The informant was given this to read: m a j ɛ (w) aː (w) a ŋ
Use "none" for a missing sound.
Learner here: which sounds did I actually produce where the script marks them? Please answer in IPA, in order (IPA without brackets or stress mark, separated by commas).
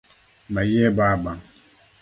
b, b